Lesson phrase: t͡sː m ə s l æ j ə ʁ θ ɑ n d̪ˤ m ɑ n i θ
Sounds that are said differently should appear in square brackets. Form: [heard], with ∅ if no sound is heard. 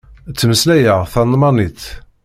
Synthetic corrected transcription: t͡sː m ə s l æ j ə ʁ θ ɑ n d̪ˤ m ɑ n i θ

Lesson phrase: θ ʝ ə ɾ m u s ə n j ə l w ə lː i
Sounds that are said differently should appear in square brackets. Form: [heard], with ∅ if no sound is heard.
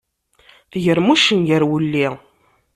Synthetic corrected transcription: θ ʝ ə ɾ m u [ʃ] ə n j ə [ɾ] w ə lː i

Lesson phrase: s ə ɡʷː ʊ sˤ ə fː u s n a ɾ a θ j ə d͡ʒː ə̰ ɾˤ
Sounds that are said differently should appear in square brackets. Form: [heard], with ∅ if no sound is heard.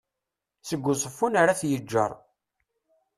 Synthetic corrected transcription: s ə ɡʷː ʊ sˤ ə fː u [∅] n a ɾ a θ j ə d͡ʒː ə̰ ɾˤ

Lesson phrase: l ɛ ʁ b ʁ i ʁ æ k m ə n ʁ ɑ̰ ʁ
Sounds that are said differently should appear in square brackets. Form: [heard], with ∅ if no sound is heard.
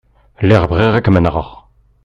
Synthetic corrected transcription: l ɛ ʁ b ʁ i ʁ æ k m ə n ʁ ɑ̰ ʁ

